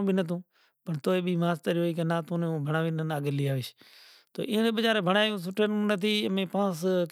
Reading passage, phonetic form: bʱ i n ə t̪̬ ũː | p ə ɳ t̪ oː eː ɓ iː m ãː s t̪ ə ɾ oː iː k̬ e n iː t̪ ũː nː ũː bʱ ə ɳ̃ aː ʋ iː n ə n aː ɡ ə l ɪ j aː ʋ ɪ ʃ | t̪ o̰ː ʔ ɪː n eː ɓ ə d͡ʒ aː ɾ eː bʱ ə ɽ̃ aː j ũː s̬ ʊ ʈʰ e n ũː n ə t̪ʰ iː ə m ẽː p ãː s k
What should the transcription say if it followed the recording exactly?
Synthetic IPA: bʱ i n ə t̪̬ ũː | p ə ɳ t̪ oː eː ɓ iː m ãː s t̪ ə ɾ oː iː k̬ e n aː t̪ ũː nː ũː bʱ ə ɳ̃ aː ʋ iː n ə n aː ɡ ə l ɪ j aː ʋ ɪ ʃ | t̪ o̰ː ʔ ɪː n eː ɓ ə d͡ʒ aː ɾ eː bʱ ə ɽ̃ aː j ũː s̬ ʊ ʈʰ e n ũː n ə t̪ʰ iː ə m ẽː p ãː s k

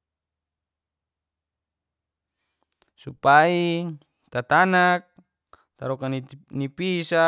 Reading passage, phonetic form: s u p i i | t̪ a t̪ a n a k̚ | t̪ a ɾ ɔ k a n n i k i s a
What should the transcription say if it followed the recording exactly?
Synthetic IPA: s u p a i | t̪ a t̪ a n a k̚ | t̪ a ɾ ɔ k a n n i p i s a

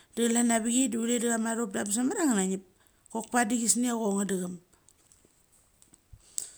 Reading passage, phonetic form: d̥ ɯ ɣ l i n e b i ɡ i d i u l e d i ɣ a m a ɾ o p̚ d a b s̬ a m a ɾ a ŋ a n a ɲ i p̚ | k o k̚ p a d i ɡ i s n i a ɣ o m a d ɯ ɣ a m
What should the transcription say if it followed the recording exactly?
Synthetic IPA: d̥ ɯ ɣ l a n a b i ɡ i d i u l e d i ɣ a m a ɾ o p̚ d a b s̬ a m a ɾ a ŋ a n a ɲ i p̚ | k o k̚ p a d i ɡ i s n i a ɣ o ŋ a d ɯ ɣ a m

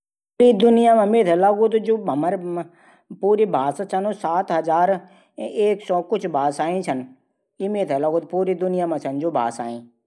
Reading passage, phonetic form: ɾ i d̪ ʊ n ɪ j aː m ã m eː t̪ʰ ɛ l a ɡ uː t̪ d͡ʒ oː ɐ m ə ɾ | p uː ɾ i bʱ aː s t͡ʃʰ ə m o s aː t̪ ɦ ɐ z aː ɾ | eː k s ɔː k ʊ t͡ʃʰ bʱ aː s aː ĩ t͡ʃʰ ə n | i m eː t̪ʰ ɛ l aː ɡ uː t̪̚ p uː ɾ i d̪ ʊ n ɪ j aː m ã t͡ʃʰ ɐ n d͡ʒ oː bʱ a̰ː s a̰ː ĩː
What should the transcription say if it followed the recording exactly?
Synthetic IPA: ɾ i d̪ ʊ n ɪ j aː m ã m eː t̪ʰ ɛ l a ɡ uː t̪ d͡ʒ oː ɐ m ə ɾ | p uː ɾ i bʱ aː s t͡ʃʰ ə n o s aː t̪ ɦ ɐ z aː ɾ | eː k s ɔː k ʊ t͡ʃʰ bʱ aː s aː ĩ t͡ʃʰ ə n | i m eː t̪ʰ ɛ l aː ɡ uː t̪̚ p uː ɾ i d̪ ʊ n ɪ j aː m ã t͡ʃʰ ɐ n d͡ʒ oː bʱ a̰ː s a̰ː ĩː

